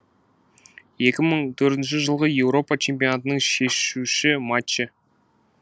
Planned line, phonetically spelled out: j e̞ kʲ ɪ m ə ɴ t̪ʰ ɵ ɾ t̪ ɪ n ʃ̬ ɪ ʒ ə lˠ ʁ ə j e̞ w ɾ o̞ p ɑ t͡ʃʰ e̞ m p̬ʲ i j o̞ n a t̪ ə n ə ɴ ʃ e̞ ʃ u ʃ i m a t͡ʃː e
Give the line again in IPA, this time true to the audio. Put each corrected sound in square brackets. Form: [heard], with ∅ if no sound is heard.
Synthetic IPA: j e̞ kʲ ɪ m ə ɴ t̪ʰ ɵ ɾ t̪ ɪ n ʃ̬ ɪ ʒ ə lˠ ʁ ə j e̞ w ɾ o̞ p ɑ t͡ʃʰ e̞ m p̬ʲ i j o̞ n a t̪ ə n ə ɴ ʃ e̞ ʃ u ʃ [ɪ] m a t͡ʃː e

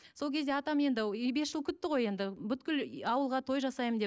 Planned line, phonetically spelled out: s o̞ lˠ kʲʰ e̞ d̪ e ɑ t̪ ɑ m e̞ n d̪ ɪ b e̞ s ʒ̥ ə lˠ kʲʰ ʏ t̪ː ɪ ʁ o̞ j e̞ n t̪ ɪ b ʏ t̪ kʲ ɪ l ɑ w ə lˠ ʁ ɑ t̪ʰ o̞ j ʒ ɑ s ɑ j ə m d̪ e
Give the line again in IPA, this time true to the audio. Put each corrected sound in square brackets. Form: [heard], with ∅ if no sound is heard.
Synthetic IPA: s o̞ lˠ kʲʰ e̞ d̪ e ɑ t̪ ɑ m e̞ n d̪ ɪ b e̞ s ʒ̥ ə lˠ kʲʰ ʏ t̪ː ɪ ʁ o̞ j e̞ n [d̪] ɪ b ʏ t̪ kʲ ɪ l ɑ w ə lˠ ʁ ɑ t̪ʰ o̞ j ʒ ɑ s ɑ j ə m d̪ e

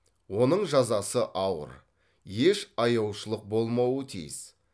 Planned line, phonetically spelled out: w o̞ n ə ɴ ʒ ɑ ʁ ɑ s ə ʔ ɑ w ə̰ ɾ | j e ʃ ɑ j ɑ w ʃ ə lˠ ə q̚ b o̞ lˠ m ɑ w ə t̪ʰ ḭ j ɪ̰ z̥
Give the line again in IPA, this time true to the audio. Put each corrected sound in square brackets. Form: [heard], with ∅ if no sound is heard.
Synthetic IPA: w o̞ n ə ɴ ʒ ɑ [z] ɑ s ə ʔ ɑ w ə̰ ɾ | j e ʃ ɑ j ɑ w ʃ ə lˠ ə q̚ b o̞ lˠ m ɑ w ə t̪ʰ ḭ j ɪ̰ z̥

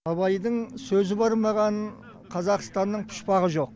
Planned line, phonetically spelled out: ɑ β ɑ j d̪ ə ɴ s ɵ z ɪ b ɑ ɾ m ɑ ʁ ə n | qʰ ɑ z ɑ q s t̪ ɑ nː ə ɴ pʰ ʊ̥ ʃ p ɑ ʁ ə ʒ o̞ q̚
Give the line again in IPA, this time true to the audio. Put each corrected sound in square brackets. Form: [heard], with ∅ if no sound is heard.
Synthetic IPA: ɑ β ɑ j d̪ ə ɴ s ɵ z ɪ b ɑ ɾ m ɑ ʁ [ɑ] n | qʰ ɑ z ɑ q s t̪ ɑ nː ə ɴ pʰ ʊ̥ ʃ p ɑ ʁ ə ʒ o̞ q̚

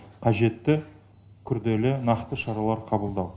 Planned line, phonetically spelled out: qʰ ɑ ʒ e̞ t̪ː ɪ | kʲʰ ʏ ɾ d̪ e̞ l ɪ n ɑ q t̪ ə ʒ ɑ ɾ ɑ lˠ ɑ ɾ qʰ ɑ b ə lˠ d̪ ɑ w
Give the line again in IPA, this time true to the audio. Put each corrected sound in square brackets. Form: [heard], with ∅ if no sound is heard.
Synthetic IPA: qʰ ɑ ʒ e̞ t̪ː ɪ | kʲʰ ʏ ɾ d̪ e̞ l ɪ n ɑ q t̪ ə [ʃ] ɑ ɾ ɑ lˠ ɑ ɾ qʰ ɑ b ə lˠ d̪ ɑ w

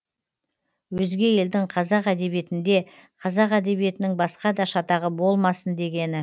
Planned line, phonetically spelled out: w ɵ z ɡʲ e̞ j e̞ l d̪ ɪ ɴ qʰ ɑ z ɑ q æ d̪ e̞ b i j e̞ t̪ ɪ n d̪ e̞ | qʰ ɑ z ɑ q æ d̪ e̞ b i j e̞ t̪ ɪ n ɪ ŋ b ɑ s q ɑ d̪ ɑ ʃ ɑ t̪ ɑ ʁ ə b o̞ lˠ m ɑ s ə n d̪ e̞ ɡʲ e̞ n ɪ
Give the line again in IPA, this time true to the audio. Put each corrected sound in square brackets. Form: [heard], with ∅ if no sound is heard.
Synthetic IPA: w ɵ z ɡʲ e̞ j e̞ l d̪ ɪ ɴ qʰ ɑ z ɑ q æ d̪ e̞ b i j e̞ t̪ ɪ n d̪ e̞ | qʰ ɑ z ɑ q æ d̪ e̞ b i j e̞ t̪ ɪ n ɪ ŋ b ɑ s q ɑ d̪ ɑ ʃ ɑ t̪ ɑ ʁ ə b o̞ lˠ m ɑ s ə n d̪ e̞ ɡʲ e̞ n ɪ

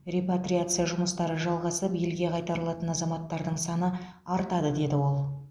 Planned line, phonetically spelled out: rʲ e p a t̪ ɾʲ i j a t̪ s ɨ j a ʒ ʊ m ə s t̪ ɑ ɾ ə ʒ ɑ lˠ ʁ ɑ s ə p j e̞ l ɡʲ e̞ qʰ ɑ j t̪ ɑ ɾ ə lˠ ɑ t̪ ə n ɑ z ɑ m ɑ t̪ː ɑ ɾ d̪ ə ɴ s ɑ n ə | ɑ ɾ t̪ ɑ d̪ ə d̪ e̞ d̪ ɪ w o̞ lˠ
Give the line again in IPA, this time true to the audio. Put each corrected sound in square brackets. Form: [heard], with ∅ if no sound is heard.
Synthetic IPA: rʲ e p a t̪ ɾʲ i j a t̪ s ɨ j a ʒ ʊ m ə s t̪ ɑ ɾ ə ʒ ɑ lˠ ʁ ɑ s ə p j e̞ l ɡʲ e̞ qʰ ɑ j t̪ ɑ ɾ ə lˠ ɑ t̪ ə n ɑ z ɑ m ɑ t̪ː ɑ ɾ d̪ ə ɴ s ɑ n ə | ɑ ɾ t̪ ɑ d̪ ə d̪ e̞ d̪ ɪ w o̞ lˠ

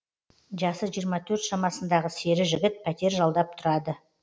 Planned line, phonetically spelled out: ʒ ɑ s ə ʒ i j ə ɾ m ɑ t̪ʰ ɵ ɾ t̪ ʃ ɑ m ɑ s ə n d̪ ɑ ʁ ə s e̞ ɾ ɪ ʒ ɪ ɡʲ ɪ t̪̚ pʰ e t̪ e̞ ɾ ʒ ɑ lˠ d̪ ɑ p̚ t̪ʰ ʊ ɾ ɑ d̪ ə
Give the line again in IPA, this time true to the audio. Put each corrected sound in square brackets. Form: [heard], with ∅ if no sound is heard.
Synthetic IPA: ʒ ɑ s ə ʒ i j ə ɾ m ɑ t̪ʰ ɵ ɾ t̪ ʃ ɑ m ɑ s ə n d̪ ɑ ʁ ə s e̞ ɾ ɪ ʒ ɪ ɡʲ ɪ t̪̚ pʰ [æ] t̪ e̞ ɾ ʒ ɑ lˠ d̪ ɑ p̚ t̪ʰ ʊ ɾ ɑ d̪ ə

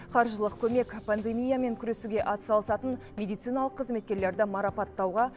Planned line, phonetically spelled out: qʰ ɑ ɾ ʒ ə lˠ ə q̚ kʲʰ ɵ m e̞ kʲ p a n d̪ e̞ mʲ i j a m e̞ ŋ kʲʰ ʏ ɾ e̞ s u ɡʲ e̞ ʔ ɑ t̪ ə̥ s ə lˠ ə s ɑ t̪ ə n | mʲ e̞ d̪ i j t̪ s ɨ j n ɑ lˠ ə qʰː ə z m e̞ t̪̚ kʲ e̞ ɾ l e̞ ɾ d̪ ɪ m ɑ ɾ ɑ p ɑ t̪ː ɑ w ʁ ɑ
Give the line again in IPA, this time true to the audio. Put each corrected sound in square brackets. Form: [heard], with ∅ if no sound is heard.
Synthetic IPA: qʰ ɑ ɾ ʒ ə lˠ ə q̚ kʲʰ ɵ m e̞ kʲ p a n d̪ e̞ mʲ i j a m e̞ ŋ kʲʰ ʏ ɾ e̞ s u ɡʲ e̞ ʔ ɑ t̪ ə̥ s [ɑ] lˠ ə s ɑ t̪ ə n | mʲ e̞ d̪ i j t̪ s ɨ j n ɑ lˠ ə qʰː ə z m e̞ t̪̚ kʲ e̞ ɾ l e̞ ɾ d̪ ɪ m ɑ ɾ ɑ p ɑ t̪ː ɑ w ʁ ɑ

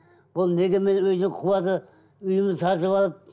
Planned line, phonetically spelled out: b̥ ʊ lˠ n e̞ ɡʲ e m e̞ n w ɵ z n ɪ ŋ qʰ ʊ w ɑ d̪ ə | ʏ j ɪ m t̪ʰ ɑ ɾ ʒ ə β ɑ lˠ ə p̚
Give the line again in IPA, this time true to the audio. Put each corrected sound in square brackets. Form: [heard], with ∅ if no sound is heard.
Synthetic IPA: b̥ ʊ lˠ n e̞ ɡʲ e m e̞ n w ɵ z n ɪ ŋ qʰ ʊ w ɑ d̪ ə | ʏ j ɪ m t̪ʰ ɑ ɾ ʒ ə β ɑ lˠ ə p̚

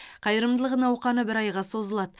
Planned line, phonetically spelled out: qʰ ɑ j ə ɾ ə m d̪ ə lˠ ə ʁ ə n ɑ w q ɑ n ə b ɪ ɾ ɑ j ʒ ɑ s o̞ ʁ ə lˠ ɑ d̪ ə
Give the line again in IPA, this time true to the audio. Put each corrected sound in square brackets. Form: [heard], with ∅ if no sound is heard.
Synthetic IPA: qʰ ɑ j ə ɾ ə m d̪ ə lˠ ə ʁ ə n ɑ w q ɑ n ə b ɪ ɾ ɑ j [ʁ] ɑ s o̞ [z] ə lˠ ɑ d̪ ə

